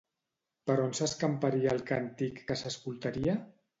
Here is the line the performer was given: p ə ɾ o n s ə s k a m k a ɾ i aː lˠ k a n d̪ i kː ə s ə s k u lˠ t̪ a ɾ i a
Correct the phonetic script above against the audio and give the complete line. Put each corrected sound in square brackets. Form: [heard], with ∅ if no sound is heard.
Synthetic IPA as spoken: p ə ɾ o n s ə s k a m [p] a ɾ i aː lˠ k a n [t̪] i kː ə s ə s k u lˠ t̪ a ɾ i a